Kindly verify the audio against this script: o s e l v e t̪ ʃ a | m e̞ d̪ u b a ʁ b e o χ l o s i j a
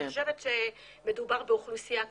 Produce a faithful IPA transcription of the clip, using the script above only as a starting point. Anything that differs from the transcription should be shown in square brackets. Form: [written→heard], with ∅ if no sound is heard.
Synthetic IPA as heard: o [s→ʃ] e [l→∅] v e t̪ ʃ [a→e] | m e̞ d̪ u b a ʁ b e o χ l [o→u] s i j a